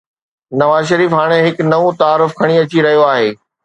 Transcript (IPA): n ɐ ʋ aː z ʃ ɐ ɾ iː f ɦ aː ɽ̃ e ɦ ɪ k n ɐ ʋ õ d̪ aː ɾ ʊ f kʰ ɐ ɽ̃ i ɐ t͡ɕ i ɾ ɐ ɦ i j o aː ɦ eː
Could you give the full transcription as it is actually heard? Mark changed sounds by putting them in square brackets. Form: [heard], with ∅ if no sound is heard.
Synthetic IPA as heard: n ɐ ʋ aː z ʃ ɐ ɾ iː f ɦ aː ɽ̃ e ɦ ɪ k n ɐ ʋ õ [t̪] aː ɾ ʊ f kʰ ɐ ɽ̃ i ɐ t͡ɕ i ɾ ɐ ɦ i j o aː ɦ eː

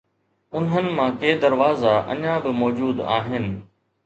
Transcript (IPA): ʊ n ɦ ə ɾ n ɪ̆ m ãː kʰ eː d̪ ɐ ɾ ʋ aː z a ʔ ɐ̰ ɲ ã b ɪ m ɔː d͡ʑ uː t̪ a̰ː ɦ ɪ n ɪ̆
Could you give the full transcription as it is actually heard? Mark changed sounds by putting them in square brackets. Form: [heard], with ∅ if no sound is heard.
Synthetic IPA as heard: ʊ n ɦ ə [∅] n ɪ̆ m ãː [k] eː d̪ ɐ ɾ ʋ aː z a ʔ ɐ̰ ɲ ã b ɪ m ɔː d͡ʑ uː [d̪] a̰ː ɦ ɪ n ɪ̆

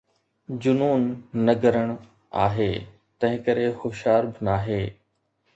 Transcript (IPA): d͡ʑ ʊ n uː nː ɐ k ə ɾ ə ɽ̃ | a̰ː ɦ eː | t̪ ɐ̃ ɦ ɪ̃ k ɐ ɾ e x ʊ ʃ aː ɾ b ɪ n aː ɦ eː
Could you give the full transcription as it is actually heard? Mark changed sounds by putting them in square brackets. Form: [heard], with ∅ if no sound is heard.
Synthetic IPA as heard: d͡ʑ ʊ n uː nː ɐ [ɡ] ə ɾ ə ɽ̃ | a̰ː ɦ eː | t̪ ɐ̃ ɦ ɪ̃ k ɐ ɾ e x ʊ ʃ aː ɾ b ɪ n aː ɦ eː

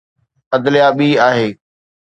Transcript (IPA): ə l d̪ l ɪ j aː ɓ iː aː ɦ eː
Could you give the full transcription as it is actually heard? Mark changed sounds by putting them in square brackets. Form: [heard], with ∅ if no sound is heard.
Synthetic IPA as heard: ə [∅] d̪ l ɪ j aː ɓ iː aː ɦ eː

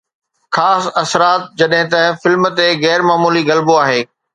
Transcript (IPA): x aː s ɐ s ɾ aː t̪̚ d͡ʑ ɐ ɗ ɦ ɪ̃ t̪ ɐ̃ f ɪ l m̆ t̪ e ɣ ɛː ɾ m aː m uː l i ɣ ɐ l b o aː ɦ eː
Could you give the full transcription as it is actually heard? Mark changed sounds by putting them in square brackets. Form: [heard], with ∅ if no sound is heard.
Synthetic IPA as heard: x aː s ɐ s ɾ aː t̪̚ d͡ʑ ɐ ɗ ɦ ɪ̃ t̪ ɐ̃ f ɪ l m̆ t̪ e ɣ ɛː ɾ m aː m uː l i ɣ ɐ l b o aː ɦ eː

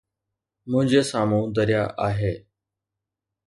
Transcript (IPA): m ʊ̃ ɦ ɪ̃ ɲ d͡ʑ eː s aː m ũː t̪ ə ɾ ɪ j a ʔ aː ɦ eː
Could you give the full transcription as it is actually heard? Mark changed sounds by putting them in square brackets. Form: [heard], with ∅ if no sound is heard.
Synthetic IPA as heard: m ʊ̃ ɦ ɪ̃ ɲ d͡ʑ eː s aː m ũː [d̪] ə ɾ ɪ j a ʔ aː ɦ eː

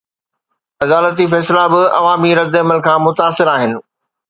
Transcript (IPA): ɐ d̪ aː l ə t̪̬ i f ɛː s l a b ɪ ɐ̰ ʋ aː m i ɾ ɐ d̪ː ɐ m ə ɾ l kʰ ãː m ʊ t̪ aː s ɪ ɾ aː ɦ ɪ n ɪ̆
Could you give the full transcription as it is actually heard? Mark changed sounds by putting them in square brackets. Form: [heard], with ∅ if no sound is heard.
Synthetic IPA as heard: ɐ d̪ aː l ə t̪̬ i f ɛː s l a b ɪ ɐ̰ ʋ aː m i ɾ ɐ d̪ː ɐ m ə [∅] l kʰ ãː m ʊ t̪ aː s ɪ ɾ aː ɦ ɪ n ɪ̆

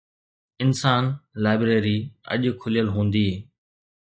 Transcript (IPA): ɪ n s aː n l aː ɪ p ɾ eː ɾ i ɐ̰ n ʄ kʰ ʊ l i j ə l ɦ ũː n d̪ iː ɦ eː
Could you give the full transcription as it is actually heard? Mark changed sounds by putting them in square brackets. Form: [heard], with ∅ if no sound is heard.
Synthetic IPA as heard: ɪ n s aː n l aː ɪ [b] ɾ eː ɾ i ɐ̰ [∅] ʄ kʰ ʊ l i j ə l ɦ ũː n d̪ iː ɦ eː

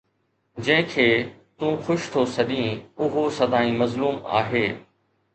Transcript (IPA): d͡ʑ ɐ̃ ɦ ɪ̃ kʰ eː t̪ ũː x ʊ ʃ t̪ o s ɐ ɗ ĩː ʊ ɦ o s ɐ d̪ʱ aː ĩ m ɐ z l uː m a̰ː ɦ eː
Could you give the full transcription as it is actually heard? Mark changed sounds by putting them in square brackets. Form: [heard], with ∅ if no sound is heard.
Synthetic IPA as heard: d͡ʑ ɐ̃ ɦ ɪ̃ kʰ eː t̪ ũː x ʊ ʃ [t̪ʰ] o s ɐ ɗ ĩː ʊ ɦ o s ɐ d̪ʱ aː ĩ m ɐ z l uː m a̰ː ɦ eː

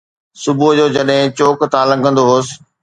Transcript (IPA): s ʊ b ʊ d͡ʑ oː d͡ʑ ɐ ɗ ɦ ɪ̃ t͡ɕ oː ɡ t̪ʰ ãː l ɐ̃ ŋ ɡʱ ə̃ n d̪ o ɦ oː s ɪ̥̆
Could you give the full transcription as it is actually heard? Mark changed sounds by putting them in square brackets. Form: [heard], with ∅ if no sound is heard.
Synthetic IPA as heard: s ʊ b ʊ d͡ʑ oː d͡ʑ ɐ ɗ ɦ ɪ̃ t͡ɕ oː [k] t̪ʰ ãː l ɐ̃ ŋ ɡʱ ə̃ n d̪ o ɦ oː s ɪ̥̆

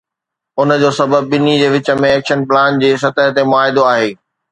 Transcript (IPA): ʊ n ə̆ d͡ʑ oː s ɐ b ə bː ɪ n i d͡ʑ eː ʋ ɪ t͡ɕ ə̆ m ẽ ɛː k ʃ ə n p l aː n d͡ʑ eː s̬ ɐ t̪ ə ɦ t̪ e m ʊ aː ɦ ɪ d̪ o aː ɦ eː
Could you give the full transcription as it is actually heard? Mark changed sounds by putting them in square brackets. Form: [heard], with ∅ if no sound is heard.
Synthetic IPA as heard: ʊ n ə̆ d͡ʑ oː s ɐ b ə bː ɪ n i d͡ʑ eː ʋ ɪ t͡ɕ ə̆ m ẽ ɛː k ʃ ə n p l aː n d͡ʑ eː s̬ ɐ t̪ ə ɦ t̪ e m ʊ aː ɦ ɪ d̪ o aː ɦ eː

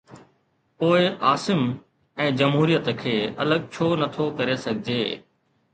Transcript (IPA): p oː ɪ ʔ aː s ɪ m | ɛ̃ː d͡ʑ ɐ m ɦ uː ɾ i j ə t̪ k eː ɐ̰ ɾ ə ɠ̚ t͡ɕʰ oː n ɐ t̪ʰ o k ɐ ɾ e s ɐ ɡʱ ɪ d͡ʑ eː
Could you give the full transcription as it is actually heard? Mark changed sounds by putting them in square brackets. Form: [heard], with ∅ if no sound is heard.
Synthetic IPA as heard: p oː ɪ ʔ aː s ɪ m | ɛ̃ː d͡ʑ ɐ m ɦ uː ɾ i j ə t̪ [kʰ] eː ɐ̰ [l] ə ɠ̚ t͡ɕʰ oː n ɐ t̪ʰ o k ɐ ɾ e s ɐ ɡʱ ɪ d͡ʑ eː

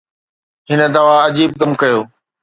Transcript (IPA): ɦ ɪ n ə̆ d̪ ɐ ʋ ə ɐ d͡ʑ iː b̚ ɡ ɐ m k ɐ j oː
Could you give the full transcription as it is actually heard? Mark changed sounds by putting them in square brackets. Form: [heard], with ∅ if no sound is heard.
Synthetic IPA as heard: ɦ ɪ n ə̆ d̪ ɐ ʋ [a] ɐ d͡ʑ iː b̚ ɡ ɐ m k ɐ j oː

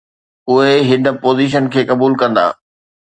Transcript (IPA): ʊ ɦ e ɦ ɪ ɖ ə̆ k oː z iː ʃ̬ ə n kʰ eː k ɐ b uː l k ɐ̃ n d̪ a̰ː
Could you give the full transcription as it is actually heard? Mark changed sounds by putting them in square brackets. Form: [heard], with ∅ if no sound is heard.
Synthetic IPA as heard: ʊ ɦ e ɦ ɪ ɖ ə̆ [p] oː z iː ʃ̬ ə n kʰ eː k ɐ b uː l k ɐ̃ n d̪ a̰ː

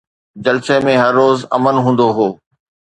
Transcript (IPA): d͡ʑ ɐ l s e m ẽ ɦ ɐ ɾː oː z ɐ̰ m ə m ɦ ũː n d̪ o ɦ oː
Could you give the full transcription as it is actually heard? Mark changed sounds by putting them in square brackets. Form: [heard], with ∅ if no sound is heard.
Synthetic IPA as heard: d͡ʑ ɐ l s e m ẽ ɦ ɐ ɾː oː z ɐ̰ m ə [n] ɦ ũː n d̪ o ɦ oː

